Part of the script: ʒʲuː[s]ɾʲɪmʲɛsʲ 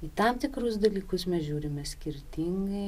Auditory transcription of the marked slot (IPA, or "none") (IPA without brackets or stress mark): none